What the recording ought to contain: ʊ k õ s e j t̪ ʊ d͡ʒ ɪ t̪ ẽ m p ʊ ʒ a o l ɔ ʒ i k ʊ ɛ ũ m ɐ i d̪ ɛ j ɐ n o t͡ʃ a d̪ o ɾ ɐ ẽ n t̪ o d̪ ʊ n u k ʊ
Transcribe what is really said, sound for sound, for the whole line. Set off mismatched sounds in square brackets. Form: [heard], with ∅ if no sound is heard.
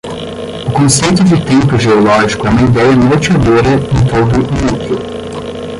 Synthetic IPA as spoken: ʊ k õ s e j t̪ ʊ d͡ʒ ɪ t̪ ẽ m p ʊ ʒ [e] o l ɔ ʒ i k ʊ ɛ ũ m ɐ i d̪ ɛ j ɐ n o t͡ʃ a d̪ o ɾ ɐ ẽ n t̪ o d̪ ʊ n u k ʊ